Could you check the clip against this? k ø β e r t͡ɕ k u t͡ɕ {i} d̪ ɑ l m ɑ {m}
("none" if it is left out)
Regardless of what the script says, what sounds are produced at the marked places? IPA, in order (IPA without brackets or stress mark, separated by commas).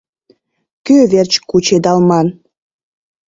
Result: e, n